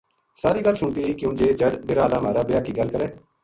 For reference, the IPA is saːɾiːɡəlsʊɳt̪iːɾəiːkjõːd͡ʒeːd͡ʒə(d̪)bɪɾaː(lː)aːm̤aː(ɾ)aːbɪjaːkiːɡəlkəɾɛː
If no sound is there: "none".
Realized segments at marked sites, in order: d̪, l, ɾ

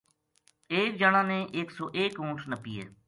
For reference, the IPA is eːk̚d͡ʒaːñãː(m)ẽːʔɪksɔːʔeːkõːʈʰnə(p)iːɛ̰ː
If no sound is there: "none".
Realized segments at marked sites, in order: n, p

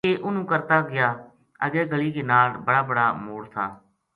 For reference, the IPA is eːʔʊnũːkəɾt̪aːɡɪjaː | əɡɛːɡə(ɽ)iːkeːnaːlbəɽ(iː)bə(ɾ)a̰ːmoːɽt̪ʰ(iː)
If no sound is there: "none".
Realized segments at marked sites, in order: l, aː, ɽ, aː

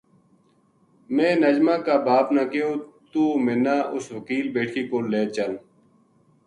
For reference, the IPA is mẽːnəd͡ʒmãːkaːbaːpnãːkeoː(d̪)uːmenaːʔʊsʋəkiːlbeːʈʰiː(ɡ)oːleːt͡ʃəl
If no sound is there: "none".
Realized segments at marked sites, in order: t̪, k

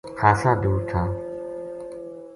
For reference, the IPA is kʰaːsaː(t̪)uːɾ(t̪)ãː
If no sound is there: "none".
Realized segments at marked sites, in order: d̪, t̪ʰ

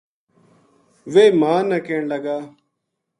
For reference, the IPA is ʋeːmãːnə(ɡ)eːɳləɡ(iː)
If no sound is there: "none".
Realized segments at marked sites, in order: k, aː

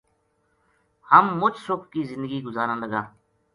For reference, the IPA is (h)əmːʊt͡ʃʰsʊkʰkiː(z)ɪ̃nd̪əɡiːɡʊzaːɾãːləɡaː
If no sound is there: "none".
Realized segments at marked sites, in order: h, z

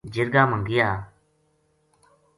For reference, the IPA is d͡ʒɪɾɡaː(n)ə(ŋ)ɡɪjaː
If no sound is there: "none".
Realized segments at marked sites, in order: m, ŋ

